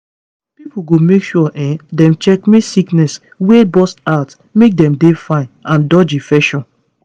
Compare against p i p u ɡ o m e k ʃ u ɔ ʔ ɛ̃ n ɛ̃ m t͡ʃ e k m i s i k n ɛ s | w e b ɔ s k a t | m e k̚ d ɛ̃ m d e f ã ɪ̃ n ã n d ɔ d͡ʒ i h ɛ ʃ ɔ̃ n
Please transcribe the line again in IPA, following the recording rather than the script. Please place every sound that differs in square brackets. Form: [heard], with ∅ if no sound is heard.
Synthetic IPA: p i p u ɡ o m e k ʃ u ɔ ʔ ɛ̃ [d] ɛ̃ m t͡ʃ [ɛ] k m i s i k n ɛ s | w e b ɔ s [t] a t | m e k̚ d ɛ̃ m d e f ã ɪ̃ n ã n d ɔ d͡ʒ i [f] ɛ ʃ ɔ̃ n